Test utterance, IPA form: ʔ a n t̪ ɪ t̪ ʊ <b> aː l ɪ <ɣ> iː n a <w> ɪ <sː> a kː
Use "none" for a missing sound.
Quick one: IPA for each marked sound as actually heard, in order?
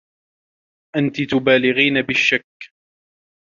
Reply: b, ɣ, b, ʃː

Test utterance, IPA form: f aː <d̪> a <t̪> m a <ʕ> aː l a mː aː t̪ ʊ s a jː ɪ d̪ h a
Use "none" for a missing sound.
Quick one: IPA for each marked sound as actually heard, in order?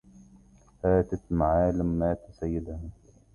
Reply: t̪, t̪, ʕ

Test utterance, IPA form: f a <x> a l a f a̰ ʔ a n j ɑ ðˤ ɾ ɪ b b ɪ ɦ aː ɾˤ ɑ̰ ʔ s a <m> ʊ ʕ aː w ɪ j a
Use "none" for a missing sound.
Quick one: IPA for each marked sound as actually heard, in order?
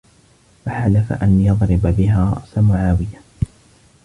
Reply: ħ, m

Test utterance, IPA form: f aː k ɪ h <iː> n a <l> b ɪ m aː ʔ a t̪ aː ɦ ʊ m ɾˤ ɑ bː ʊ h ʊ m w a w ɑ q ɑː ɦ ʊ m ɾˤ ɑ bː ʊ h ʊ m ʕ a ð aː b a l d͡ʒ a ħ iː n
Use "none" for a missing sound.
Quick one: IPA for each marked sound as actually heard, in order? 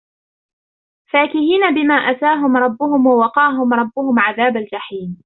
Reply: iː, none

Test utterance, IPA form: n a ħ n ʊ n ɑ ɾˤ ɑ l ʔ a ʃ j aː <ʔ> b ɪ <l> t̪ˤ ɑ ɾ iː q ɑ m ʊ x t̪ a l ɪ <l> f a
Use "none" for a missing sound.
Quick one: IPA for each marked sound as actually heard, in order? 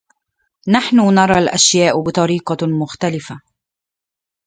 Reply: ʔ, none, none

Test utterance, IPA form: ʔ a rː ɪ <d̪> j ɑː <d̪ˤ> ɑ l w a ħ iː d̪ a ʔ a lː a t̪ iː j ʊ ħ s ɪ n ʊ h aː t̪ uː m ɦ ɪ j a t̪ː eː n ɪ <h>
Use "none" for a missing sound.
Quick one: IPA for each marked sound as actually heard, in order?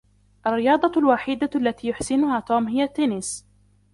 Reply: none, d̪ˤ, s

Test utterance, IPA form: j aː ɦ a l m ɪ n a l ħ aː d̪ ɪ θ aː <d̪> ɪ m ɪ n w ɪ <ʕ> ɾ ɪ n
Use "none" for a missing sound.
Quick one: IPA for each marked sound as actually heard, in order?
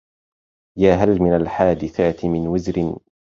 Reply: t̪, z

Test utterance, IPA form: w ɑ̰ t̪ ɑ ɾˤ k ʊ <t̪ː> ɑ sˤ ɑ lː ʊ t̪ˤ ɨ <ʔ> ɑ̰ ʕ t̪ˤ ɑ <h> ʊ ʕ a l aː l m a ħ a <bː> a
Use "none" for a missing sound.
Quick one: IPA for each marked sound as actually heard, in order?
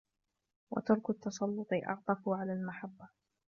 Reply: t̪ː, ʔ, f, bː

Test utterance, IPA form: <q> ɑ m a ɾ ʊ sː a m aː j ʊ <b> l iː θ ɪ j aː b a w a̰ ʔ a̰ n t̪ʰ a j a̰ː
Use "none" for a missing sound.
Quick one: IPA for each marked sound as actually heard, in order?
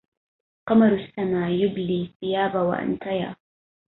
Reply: q, b

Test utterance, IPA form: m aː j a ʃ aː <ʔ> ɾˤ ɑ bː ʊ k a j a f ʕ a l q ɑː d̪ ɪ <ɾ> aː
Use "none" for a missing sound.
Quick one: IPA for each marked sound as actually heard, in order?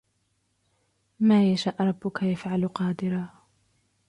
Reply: ʔ, ɾ

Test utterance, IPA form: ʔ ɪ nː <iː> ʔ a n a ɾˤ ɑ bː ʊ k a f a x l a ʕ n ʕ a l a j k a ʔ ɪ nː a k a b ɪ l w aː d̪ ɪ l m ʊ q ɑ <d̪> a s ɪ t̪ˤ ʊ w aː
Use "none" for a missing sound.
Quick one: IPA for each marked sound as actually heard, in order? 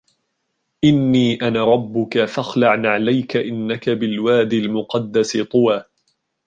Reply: iː, d̪ː

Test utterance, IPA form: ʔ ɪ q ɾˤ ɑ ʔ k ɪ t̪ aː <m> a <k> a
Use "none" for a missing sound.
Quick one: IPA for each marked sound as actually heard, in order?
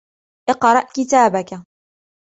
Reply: b, k

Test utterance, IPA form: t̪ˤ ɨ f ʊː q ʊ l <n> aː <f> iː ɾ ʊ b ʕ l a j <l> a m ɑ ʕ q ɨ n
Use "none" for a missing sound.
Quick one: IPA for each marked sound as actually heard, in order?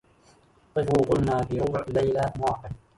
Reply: n, f, l

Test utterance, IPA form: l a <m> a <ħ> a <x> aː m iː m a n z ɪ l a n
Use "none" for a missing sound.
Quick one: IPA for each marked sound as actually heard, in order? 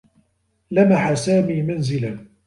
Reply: m, ħ, s

